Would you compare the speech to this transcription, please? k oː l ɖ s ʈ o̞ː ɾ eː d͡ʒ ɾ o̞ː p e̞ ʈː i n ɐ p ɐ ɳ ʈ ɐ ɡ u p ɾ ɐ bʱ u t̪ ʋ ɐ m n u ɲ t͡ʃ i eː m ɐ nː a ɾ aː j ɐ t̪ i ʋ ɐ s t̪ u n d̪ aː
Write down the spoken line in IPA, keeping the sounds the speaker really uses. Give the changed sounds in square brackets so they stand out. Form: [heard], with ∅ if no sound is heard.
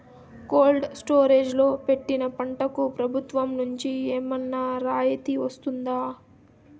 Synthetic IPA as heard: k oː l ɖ s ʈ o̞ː ɾ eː d͡ʒ [l] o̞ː p e̞ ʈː i n ɐ p ɐ ɳ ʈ ɐ [k] u p ɾ ɐ bʱ u t̪ ʋ ɐ m n u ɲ t͡ʃ i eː m ɐ nː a ɾ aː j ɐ t̪ i ʋ ɐ s t̪ u n d̪ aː